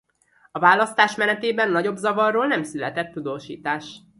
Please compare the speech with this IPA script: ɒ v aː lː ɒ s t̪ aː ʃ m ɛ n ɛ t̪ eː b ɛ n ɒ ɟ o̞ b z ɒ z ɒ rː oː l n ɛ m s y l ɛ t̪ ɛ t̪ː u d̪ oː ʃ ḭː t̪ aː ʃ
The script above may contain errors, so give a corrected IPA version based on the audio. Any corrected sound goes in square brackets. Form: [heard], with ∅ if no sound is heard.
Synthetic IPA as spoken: ɒ v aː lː ɒ s t̪ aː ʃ m ɛ n ɛ t̪ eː b ɛ [nː] ɒ ɟ o̞ b z ɒ [v] ɒ rː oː l n ɛ m s y l ɛ t̪ ɛ t̪ː u d̪ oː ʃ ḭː t̪ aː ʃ